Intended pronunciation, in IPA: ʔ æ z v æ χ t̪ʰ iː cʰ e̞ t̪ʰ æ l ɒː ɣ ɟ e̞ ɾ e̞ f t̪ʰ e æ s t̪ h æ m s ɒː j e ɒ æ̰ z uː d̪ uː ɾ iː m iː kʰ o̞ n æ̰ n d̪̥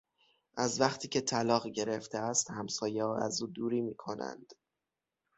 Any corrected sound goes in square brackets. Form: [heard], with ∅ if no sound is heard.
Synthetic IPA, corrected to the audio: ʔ æ z v æ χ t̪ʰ iː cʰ e̞ t̪ʰ æ l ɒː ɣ ɟ e̞ ɾ e̞ f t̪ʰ e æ s t̪ h æ m s ɒː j e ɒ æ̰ z uː d̪ uː ɾ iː m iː kʰ o̞ n æ̰ n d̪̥